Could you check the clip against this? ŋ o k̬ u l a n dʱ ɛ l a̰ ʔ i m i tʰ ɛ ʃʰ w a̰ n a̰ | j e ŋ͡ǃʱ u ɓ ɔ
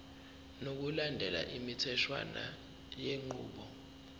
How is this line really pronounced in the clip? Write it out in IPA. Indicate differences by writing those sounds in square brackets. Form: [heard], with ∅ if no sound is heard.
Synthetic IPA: [n] o k̬ u l a n dʱ ɛ l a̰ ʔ i m i tʰ ɛ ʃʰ w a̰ n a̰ | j e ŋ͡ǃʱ [uː] ɓ ɔ